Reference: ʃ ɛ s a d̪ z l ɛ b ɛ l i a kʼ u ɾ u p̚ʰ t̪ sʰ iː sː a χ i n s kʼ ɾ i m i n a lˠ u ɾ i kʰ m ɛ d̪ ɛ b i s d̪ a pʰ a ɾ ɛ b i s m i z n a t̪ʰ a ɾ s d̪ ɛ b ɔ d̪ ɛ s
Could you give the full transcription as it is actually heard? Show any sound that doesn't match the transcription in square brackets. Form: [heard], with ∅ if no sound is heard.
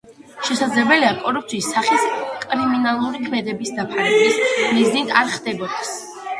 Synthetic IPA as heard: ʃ ɛ s a d̪ z l ɛ b ɛ l i a kʼ [ɔ] ɾ u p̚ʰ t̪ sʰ iː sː a χ i [∅] s kʼ ɾ i m i n a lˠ u ɾ i kʰ m ɛ d̪ ɛ b i s d̪ a pʰ a ɾ ɛ b i s m i z n [i] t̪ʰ a ɾ [χ] d̪ ɛ b ɔ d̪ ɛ s